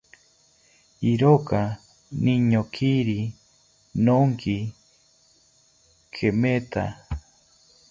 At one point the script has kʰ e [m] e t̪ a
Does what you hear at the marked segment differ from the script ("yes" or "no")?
no